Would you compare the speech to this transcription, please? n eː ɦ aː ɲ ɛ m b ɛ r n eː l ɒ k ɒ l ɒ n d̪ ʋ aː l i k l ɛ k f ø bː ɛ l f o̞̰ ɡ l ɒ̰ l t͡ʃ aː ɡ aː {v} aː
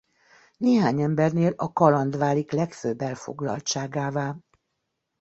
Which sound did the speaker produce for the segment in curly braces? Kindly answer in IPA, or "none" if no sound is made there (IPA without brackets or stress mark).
v